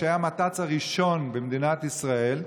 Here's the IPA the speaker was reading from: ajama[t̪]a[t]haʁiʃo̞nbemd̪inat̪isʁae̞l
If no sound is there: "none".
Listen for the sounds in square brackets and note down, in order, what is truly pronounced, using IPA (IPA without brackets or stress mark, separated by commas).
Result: t̪, t͡s